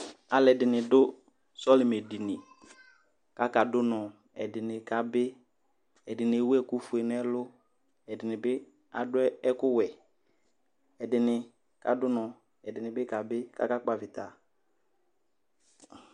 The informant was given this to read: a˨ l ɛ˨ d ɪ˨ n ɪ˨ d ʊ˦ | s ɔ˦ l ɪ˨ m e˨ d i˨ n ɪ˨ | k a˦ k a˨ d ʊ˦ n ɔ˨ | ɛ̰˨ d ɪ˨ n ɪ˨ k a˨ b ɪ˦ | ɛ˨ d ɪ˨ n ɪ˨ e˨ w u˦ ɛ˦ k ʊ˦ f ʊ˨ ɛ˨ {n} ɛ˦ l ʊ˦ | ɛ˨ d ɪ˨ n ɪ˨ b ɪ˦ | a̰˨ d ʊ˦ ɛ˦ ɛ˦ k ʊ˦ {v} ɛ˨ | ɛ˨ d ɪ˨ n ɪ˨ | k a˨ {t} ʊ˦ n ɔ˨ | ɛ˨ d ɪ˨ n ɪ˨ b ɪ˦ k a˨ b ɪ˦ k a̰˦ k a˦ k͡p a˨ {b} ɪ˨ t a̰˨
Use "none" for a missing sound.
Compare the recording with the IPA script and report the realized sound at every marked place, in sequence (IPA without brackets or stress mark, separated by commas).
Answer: n, w, d, v